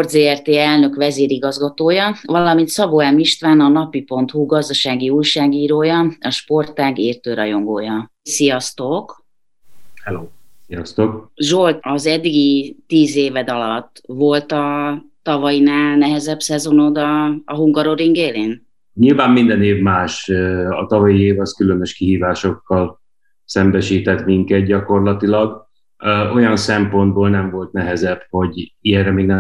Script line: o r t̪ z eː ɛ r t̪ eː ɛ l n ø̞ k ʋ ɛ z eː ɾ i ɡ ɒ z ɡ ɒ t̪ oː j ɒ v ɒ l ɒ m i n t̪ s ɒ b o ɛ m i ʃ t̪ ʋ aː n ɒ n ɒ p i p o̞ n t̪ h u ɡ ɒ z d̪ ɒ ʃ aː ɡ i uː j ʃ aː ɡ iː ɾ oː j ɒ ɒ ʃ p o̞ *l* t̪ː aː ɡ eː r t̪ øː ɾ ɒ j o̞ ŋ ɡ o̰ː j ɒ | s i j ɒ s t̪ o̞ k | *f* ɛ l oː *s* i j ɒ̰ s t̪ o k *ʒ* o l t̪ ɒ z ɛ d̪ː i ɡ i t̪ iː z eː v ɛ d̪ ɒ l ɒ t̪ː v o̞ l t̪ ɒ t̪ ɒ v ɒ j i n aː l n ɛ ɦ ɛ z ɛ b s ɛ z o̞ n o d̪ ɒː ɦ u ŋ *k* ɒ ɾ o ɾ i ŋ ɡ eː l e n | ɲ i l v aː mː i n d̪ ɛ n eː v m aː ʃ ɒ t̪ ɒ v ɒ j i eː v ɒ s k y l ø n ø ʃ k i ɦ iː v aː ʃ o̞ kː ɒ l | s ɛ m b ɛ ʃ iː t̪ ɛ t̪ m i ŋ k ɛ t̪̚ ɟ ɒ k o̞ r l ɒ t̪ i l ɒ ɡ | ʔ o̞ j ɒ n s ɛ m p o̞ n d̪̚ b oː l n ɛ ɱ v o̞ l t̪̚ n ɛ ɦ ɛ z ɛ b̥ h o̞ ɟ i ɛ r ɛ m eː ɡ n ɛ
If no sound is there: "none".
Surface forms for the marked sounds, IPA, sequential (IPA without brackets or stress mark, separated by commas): r, h, s, ʒ, ɡ